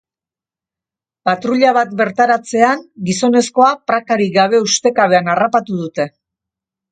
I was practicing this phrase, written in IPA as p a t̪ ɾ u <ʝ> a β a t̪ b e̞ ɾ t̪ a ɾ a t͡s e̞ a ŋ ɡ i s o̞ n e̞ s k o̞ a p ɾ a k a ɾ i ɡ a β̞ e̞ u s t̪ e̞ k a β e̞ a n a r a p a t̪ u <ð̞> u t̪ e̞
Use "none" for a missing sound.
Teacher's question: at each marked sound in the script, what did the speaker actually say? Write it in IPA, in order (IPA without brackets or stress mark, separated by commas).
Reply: ʎ, ð̞